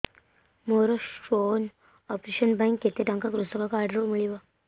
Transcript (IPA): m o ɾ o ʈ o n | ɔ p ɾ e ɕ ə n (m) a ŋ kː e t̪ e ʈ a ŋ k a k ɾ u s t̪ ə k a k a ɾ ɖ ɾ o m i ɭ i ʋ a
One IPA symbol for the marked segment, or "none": b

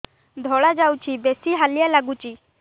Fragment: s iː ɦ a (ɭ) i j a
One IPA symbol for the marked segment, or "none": l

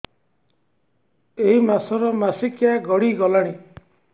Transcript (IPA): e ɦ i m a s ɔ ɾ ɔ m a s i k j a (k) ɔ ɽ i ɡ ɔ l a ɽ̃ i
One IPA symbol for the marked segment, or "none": ɡ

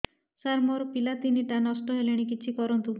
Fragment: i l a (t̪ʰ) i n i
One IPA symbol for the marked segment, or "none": t̪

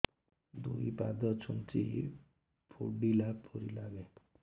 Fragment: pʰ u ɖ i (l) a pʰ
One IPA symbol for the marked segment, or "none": l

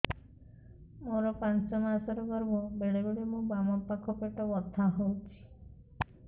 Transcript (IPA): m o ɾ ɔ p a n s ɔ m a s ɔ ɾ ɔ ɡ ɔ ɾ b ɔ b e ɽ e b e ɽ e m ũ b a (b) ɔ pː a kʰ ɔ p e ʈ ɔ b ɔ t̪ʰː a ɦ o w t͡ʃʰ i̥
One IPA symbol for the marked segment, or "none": m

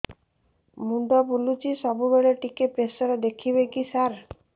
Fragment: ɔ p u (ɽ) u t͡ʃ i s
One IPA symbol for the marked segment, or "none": l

